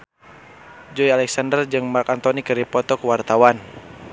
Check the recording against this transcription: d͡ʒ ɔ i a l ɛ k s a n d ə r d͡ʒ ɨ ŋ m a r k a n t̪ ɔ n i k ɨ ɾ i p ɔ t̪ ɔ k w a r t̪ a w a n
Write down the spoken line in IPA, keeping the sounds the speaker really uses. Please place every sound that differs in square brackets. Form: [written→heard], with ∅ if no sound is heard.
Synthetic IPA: d͡ʒ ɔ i a l ɛ k s a n d ə r d͡ʒ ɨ ŋ m a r k a n t̪ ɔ n i k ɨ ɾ i p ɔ t̪ ɔ k w a r t̪ a w a n